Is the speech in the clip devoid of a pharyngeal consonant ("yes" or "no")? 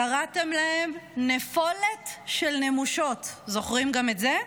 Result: yes